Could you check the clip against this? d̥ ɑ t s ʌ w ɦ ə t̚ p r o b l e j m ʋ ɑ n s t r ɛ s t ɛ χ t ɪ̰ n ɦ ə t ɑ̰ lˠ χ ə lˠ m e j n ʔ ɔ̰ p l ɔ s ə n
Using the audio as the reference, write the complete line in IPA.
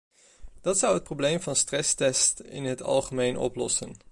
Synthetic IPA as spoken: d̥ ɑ t s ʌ w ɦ ə t̚ p r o b l e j m v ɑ n s t r ɛ s t ɛ s t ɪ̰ n ɦ ə t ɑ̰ lˠ χ ə m e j n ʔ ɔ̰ p l ɔ s ə n